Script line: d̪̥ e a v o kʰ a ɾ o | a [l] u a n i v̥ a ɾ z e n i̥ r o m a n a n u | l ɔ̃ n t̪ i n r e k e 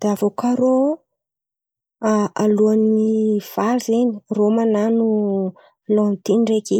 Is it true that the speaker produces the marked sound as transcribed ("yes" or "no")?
yes